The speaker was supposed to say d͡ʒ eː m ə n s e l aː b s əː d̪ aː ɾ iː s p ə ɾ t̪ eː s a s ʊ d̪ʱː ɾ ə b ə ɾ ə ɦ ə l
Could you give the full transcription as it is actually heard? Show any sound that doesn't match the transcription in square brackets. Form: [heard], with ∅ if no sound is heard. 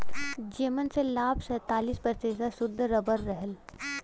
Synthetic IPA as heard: d͡ʒ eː m ə n s e l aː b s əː [t̪] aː [l] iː s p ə ɾ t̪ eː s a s ʊ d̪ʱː ɾ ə b ə [ɾː] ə ɦ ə l